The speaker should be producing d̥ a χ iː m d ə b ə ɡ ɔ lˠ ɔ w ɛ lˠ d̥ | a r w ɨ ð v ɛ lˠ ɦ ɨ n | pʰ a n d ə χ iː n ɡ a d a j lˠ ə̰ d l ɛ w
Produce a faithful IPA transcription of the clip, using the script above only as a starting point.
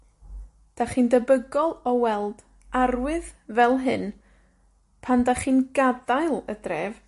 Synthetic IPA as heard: d̥ a χ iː n d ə b ə ɡ ɔ lˠ ɔ w ɛ lˠ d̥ | a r w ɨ ð v ɛ lˠ ɦ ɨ n | pʰ a n d a χ iː n ɡ a d a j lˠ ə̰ d r ɛ v